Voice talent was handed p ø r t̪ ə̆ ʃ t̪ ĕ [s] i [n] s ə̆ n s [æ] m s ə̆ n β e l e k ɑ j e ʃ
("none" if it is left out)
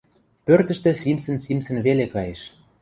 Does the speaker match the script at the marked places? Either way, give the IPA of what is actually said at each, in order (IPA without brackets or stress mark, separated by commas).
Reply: s, m, i